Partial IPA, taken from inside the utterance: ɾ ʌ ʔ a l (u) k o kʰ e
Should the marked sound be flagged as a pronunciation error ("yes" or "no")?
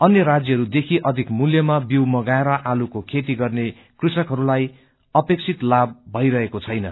no